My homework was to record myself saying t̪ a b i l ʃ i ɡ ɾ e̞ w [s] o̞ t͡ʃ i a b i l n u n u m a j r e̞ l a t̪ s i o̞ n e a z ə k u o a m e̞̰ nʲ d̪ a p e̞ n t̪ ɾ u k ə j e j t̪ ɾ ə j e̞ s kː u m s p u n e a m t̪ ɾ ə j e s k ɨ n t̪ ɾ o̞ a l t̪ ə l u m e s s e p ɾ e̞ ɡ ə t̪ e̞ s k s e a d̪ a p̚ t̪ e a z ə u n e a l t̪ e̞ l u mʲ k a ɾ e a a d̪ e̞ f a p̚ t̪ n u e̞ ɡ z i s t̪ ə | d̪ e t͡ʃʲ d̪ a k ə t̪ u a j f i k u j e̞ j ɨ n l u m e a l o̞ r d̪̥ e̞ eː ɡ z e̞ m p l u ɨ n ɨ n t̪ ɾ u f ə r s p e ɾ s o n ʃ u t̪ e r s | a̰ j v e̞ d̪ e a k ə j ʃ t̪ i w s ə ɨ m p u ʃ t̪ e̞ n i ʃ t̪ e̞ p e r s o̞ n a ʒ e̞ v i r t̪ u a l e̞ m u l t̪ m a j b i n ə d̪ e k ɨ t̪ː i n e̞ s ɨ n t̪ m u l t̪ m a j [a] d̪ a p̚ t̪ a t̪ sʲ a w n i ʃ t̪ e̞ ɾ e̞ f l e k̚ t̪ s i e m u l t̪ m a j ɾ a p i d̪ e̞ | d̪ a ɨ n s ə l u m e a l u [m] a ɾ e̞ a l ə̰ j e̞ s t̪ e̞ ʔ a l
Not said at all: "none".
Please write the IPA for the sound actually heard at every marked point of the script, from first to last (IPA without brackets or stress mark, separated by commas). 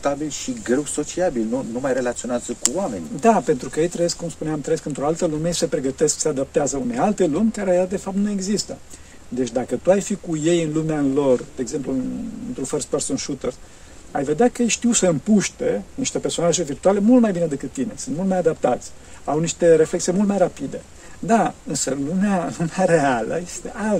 s, a, m